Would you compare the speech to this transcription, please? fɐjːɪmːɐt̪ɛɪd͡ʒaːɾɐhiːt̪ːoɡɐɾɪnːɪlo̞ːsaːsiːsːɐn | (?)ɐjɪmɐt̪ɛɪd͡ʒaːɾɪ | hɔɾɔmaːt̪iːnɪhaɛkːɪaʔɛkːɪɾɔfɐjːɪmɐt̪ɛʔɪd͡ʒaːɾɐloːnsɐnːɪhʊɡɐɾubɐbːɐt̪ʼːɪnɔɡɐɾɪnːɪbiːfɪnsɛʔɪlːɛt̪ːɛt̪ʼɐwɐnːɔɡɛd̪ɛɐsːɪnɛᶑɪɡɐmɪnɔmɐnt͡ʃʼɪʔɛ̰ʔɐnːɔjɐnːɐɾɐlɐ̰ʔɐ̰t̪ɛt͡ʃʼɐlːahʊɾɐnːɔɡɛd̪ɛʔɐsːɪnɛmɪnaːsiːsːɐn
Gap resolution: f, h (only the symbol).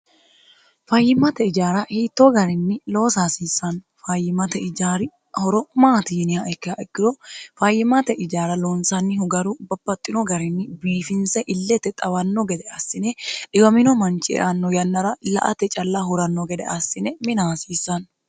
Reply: f